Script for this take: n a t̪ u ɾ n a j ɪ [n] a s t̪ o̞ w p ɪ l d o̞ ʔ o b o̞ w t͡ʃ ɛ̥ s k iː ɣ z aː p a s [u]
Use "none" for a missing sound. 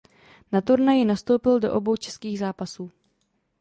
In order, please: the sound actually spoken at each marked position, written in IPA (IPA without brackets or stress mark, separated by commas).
n, uː